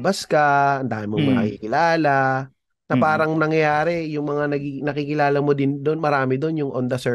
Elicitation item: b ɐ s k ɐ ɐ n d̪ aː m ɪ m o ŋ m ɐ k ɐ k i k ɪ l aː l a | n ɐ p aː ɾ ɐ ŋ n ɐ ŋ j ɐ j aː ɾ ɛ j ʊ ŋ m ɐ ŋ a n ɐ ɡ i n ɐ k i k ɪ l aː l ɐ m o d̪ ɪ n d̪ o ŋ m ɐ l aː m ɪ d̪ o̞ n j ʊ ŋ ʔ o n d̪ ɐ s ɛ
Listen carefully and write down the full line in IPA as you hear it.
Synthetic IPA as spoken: b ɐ s k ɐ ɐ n d̪ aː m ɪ m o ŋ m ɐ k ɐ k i k ɪ l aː l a | n ɐ p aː ɾ ɐ ŋ n ɐ ŋ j ɐ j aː ɾ ɛ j ʊ ŋ m ɐ ŋ a n ɐ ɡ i n ɐ k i k ɪ l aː l ɐ m o d̪ ɪ n d̪ o n m ɐ ɾ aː m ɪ d̪ o̞ n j ʊ ŋ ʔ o n d̪ ɐ s ɛ